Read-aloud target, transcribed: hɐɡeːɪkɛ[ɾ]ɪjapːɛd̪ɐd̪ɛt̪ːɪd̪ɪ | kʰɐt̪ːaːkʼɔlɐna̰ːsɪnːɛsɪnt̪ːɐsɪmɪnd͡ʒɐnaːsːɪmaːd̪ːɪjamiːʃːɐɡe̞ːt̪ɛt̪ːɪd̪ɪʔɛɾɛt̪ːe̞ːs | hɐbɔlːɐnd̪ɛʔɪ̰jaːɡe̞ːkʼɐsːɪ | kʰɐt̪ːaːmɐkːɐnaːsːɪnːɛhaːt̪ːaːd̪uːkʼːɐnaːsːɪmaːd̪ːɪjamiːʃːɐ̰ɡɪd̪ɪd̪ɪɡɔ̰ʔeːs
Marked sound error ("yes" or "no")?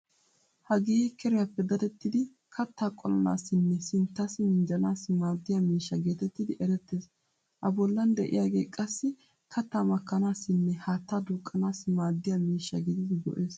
no